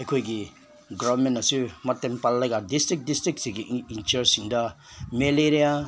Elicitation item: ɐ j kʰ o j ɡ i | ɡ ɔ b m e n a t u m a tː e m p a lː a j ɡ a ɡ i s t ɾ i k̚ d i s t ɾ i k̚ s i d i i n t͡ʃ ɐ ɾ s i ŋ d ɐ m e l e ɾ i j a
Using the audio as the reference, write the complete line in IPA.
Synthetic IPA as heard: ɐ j kʰ o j ɡ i | ɡ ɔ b m e n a s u m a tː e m p a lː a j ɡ a d i s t ɾ i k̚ d i s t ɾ i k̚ s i ɡ i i n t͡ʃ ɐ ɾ s i ŋ d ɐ m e l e ɾ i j a